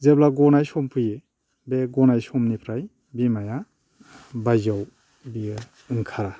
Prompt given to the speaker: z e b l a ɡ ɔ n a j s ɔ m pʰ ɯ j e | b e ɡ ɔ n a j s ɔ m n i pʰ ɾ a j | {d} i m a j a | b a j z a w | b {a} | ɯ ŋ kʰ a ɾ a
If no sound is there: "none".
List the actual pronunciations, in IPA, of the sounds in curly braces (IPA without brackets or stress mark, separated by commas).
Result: b, i